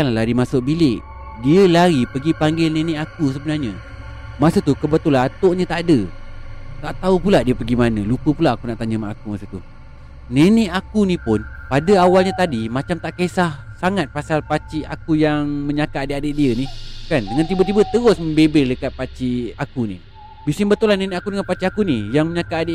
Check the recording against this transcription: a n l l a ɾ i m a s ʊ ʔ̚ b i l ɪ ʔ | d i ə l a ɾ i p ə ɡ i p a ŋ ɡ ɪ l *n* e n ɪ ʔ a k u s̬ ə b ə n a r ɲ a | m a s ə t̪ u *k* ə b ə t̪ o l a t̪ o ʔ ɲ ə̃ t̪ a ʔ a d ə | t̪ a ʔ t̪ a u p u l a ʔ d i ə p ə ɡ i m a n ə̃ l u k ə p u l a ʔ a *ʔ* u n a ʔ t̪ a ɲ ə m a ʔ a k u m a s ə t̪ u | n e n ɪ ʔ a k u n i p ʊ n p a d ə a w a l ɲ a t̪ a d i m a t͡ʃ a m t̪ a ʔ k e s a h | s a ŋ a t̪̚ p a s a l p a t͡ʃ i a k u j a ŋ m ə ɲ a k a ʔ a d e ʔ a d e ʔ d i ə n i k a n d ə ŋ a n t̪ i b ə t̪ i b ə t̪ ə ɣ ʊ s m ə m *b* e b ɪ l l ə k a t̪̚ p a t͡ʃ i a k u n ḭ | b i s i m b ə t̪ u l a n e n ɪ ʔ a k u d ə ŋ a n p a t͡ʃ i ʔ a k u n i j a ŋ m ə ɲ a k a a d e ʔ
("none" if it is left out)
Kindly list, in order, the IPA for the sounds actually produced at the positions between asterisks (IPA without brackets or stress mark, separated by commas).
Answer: n, k, k, b